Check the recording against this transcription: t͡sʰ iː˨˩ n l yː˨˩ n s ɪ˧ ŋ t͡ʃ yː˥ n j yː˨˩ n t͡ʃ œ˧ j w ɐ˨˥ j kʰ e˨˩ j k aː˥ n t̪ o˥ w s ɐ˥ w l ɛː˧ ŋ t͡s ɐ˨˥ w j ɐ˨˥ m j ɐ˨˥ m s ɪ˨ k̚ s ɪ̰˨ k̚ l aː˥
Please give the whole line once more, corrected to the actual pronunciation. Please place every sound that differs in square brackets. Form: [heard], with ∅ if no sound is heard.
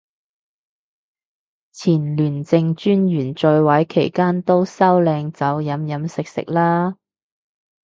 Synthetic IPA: t͡sʰ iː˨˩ n l yː˨˩ n [t͡s] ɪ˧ ŋ t͡ʃ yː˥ n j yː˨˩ n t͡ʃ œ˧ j w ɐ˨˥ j kʰ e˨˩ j k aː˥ n t̪ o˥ w s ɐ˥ w l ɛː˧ ŋ t͡s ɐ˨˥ w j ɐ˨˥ m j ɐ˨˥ m s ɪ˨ k̚ s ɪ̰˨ k̚ l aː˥